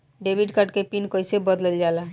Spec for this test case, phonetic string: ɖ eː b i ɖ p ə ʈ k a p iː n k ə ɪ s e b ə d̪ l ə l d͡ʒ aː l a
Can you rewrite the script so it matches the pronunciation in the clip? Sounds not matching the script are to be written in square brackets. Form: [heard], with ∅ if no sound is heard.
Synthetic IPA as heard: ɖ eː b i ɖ [k] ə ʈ k [e] p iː n k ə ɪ s e b ə d̪ l ə l d͡ʒ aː l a